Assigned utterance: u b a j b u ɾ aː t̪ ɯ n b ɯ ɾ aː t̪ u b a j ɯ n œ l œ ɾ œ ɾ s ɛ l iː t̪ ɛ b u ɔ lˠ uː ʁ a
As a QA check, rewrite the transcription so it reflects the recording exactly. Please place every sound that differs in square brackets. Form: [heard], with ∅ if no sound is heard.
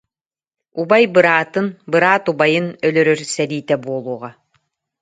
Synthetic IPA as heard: u b a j b [ɯ] ɾ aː t̪ ɯ n b ɯ ɾ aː t̪ u b a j ɯ n œ l œ ɾ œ ɾ s ɛ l iː t̪ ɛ b u ɔ lˠ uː ʁ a

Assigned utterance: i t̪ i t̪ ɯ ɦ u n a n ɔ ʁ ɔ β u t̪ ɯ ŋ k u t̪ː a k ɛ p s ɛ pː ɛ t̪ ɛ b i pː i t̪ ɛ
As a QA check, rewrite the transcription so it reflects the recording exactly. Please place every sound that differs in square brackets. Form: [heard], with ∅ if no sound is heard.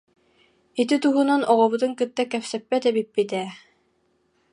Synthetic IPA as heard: i t̪ i t̪ [u] ɦ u n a n ɔ ʁ ɔ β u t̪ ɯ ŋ k [ɯ] t̪ː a k ɛ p s ɛ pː ɛ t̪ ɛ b i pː i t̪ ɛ

